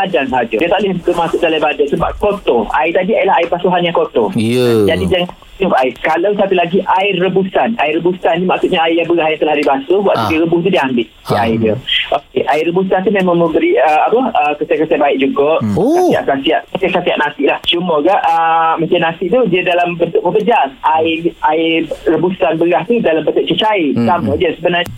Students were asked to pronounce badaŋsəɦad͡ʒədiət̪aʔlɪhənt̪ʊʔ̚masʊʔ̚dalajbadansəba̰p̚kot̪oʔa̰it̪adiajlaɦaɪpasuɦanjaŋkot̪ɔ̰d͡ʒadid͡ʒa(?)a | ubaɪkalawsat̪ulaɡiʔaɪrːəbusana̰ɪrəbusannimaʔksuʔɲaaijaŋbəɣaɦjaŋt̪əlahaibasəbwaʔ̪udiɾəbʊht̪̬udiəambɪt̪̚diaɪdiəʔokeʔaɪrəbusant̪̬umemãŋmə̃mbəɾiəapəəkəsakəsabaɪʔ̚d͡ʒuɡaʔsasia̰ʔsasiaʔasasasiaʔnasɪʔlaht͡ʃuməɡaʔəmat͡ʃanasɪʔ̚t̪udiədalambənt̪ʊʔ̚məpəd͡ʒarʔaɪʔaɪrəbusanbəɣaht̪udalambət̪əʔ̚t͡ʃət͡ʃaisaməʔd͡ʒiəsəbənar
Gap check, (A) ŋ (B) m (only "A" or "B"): A